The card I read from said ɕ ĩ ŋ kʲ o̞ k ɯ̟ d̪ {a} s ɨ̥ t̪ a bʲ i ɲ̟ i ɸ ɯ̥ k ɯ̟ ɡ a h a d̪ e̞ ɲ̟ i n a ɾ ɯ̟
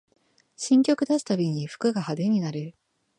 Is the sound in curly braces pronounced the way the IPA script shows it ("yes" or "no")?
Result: yes